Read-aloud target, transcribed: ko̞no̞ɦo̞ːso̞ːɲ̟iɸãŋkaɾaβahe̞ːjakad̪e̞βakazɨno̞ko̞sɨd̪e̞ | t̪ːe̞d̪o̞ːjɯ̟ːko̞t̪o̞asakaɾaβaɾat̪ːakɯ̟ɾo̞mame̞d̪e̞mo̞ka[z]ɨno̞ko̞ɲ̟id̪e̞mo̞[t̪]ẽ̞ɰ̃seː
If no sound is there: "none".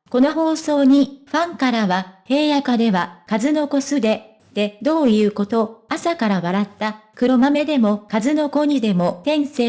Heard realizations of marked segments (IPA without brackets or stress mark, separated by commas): z, t̪